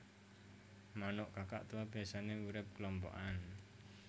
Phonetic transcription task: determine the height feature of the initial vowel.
low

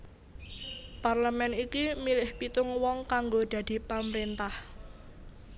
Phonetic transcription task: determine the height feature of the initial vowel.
low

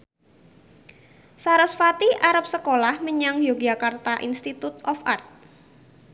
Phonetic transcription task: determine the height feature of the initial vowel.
low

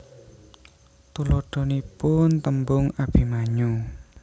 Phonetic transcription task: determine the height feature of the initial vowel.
high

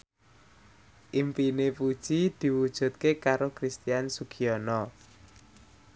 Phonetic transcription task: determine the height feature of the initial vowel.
high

